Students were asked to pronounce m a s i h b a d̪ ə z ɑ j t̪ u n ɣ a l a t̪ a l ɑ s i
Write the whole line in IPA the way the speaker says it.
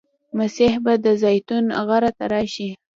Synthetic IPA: m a s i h b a d̪ ə z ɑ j t̪ u n ɣ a ɾ a t̪ a ɾ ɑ ʃ i